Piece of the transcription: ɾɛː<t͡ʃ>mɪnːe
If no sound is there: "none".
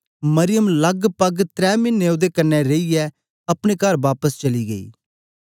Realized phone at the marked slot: none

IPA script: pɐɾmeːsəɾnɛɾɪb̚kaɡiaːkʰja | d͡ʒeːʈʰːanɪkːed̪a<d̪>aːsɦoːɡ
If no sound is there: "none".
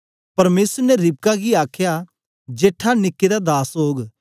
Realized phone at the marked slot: d̪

